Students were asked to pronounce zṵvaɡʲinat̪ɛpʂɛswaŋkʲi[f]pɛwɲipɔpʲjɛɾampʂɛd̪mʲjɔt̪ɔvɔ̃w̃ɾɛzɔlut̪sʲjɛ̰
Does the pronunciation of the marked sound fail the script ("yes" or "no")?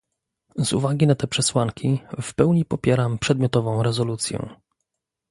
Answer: no